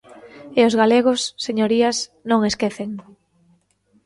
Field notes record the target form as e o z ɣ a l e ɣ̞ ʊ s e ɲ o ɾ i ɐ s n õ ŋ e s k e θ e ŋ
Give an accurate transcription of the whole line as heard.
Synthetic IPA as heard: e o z ɣ a l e ɣ̞ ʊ sː e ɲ o ɾ i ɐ s n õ ŋ e s k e θ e ŋ

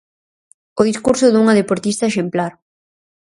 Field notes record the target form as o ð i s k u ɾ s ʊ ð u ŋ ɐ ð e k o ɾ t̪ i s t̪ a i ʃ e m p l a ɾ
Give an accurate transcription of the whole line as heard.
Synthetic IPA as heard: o ð i s k u ɾ s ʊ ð u ŋ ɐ ð e p o ɾ t̪ i s t̪ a e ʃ e m p l a ɾ

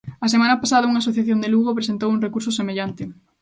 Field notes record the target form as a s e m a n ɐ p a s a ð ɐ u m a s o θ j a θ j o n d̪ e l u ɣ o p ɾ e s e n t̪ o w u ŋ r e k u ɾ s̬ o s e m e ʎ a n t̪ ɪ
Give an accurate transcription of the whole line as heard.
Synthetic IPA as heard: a s e m a n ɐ p a s a ð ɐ u ŋ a s o θ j a θ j o n d̪ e l u ɣ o p ɾ e s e n t̪ o w u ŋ r e k u ɾ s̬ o s e m e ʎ a n t̪ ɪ

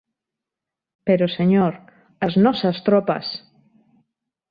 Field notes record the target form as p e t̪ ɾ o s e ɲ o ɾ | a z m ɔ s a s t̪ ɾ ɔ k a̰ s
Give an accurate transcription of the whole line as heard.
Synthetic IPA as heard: p e ɾ o s e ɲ o ɾ | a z n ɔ s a s t̪ ɾ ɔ p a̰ s

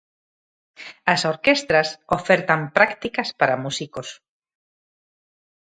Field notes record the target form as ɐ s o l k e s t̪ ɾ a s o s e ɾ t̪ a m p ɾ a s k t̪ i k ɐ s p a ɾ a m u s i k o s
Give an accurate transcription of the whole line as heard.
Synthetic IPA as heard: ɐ s o ɾ k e s t̪ ɾ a s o f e ɾ t̪ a m p ɾ a k t̪ i k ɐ s p a ɾ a m u s i k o s

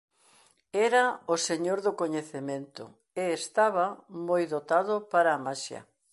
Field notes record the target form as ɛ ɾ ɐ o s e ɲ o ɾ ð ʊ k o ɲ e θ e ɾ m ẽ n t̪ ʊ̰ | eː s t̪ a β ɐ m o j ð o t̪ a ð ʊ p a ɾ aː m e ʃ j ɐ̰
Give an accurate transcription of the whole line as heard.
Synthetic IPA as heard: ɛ ɾ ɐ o s e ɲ o ɾ ð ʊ k o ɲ e θ e m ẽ n t̪ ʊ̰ | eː s t̪ a β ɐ m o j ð o t̪ a ð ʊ p a ɾ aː m a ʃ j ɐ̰

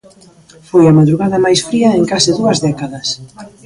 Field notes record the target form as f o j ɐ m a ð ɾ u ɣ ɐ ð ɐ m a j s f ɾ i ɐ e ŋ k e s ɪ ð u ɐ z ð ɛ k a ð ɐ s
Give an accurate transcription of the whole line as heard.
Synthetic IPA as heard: f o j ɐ m a ð ɾ u ɣ a ð ɐ m a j s f ɾ i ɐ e ŋ k a s ɪ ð u ɐ z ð ɛ k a ð ɐ s

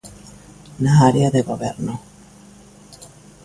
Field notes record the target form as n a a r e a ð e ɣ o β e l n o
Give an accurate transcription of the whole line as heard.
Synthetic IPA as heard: n a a ɾ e a ð e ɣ o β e ɾ n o

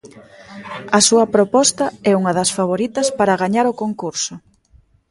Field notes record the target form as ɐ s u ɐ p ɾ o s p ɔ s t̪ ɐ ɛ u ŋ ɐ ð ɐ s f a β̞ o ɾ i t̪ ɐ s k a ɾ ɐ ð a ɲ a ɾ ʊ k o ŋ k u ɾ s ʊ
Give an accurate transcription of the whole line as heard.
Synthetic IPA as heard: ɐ s u ɐ p ɾ o p ɔ s t̪ ɐ ɛ u ŋ ɐ ð ɐ s f a β̞ o ɾ i t̪ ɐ s p a ɾ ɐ ɣ a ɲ a ɾ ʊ k o ŋ k u ɾ s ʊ

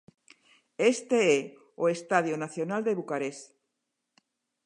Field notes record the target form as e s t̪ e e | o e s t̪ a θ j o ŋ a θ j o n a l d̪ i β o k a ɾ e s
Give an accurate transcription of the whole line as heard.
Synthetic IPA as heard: e s t̪ e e | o e s t̪ a ð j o n a θ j o n a l d̪ e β u k a ɾ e s

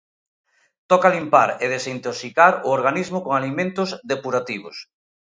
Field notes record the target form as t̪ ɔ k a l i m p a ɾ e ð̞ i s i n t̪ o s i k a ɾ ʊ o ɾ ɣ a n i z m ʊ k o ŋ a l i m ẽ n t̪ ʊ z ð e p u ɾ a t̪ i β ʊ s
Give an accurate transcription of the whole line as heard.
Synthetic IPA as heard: t̪ ɔ k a l i m p a ɾ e ð̞ e s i n t̪ o s i k a ɾ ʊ o ɾ ɣ a n i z m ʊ k o ŋ a l i m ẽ n t̪ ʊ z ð e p u ɾ a t̪ i β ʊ s

